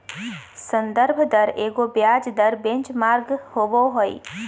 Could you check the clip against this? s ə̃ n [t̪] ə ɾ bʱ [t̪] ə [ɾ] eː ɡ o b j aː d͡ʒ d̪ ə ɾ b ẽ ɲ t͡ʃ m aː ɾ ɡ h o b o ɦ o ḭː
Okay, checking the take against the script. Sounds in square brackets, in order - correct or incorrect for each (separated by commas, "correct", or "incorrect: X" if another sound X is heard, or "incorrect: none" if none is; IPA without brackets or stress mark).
incorrect: d̪, incorrect: d̪, correct